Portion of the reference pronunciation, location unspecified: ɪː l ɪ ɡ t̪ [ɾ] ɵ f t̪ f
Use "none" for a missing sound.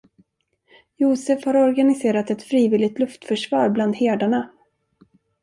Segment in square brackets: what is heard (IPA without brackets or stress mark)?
l